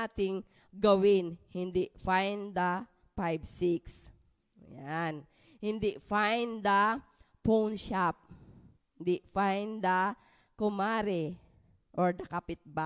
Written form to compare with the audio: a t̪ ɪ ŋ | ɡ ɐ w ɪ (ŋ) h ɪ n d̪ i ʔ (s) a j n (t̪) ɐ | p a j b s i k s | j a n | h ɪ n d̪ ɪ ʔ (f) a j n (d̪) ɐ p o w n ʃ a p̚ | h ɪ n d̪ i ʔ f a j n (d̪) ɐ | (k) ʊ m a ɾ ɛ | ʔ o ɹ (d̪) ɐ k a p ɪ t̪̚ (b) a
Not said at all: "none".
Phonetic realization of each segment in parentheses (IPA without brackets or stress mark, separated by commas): n, f, d̪, f, d̪, d̪, k, d̪, b